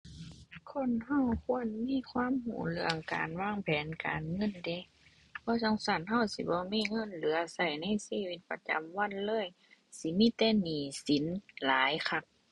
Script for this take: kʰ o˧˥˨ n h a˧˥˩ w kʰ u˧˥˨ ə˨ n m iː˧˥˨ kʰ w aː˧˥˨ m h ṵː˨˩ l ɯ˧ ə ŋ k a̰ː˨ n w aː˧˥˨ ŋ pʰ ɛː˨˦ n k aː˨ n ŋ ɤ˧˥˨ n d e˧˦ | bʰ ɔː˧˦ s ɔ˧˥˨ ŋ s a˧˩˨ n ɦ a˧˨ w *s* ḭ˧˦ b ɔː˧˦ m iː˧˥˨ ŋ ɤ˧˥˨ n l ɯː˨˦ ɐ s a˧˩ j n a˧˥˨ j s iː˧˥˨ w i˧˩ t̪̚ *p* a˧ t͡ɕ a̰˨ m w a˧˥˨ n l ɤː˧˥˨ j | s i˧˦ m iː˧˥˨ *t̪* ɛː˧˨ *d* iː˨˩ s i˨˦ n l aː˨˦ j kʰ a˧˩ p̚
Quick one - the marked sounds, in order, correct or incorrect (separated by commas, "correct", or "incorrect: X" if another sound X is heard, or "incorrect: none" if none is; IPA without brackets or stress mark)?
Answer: correct, correct, correct, incorrect: n